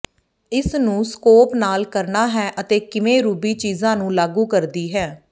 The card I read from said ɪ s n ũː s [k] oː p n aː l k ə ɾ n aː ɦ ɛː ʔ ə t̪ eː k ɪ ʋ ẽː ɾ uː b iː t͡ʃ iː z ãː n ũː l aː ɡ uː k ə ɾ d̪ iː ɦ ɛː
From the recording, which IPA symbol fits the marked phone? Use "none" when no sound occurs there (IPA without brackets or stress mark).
k